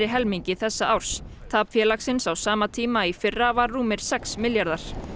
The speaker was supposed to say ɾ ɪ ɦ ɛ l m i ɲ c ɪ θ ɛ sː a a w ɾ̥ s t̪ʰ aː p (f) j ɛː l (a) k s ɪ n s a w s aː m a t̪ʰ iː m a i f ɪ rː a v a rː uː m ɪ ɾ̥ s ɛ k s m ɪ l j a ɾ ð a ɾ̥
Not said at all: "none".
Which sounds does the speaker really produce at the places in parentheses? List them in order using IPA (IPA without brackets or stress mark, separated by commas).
f, a